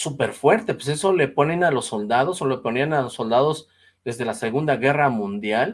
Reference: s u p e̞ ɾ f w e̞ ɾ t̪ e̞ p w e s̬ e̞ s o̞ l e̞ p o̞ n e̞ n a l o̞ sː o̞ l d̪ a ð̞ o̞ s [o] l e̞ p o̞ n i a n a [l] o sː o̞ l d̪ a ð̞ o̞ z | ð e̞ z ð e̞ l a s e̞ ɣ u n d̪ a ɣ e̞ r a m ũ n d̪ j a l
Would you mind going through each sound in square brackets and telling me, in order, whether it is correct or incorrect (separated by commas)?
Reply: correct, correct